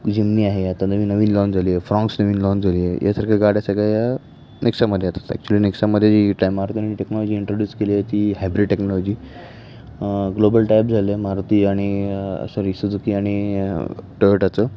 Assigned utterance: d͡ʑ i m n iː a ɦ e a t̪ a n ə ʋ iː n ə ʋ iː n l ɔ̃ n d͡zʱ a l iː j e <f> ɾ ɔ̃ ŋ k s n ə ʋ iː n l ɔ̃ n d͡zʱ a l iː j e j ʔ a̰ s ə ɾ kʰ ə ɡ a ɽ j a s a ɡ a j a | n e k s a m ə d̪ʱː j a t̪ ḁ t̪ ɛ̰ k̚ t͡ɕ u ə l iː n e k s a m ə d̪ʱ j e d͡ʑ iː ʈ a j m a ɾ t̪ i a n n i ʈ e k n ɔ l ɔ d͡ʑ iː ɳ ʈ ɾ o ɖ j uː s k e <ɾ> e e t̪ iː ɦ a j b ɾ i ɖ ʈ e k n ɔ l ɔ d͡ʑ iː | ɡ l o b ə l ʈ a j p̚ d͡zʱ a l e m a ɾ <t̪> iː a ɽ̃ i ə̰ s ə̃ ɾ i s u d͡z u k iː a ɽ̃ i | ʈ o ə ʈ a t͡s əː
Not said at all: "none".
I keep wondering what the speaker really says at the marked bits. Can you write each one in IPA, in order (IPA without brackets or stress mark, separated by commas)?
f, l, t̪